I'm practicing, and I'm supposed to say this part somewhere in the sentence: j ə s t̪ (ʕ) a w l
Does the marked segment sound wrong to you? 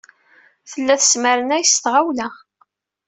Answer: yes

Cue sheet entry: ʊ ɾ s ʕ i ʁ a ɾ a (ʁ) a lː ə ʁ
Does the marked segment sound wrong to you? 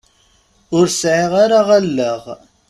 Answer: no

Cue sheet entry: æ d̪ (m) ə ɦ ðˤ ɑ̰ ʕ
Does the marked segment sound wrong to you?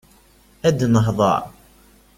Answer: yes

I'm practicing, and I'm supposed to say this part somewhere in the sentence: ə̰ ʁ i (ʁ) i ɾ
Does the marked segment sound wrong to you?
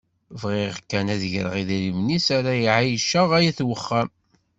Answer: yes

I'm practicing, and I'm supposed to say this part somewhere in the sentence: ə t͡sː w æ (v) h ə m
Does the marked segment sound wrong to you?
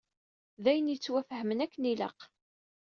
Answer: yes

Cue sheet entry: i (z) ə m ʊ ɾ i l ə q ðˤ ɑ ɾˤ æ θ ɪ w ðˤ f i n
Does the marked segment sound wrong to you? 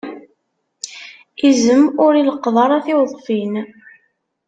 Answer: no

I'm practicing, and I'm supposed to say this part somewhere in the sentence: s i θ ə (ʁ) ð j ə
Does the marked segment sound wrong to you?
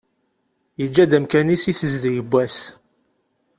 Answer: yes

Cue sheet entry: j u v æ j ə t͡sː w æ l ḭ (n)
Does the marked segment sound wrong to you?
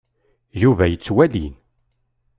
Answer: no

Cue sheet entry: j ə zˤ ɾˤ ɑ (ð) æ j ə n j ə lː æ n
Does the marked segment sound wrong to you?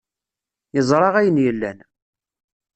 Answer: yes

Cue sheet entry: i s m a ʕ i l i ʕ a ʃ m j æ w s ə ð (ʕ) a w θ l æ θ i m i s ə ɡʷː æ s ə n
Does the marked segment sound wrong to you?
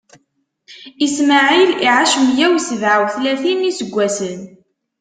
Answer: no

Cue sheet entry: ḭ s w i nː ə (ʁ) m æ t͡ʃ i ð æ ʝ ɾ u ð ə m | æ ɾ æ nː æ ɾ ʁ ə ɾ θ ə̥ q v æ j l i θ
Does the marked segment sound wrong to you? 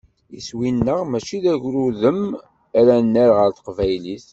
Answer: no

